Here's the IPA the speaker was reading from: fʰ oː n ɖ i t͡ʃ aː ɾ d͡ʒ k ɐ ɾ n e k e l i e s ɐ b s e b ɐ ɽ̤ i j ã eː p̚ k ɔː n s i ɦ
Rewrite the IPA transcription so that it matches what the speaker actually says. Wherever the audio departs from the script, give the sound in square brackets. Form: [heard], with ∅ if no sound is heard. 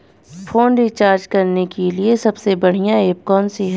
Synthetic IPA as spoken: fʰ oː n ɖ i t͡ʃ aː ɾ d͡ʒ k ɐ ɾ n e k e l i e s ɐ b s e b ɐ ɽ̤ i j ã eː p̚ k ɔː n s i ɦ